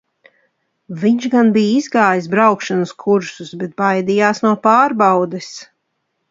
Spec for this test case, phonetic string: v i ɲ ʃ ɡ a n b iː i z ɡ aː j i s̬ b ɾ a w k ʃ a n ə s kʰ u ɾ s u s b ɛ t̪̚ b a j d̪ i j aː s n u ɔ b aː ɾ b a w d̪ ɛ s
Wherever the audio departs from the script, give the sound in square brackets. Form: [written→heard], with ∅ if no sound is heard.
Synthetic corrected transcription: v i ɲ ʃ ɡ a n b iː i z ɡ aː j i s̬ b ɾ a w k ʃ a n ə s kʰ u ɾ s u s b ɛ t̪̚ b a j d̪ i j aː s n u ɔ [b→p] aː ɾ b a w d̪ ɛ s